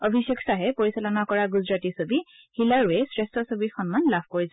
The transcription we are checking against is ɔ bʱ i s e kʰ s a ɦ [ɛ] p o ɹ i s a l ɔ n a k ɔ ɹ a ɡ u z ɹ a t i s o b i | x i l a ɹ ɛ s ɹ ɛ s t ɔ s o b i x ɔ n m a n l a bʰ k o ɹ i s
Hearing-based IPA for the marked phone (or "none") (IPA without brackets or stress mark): ɛ